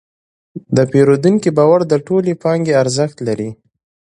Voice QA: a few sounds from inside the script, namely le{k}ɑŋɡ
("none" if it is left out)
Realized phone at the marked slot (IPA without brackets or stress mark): p